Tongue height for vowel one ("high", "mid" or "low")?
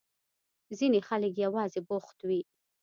high